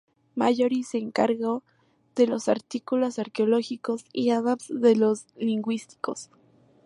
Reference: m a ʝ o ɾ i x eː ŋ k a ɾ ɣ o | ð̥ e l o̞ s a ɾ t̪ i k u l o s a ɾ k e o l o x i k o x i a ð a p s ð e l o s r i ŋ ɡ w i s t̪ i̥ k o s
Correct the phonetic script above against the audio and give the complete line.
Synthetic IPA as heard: m a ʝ o ɾ i s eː ŋ k a ɾ ɣ o | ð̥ e l o̞ s a ɾ t̪ i k u l o s a ɾ k e o l o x i k o s i a ð a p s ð e l o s l i ŋ ɡ w i s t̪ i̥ k o s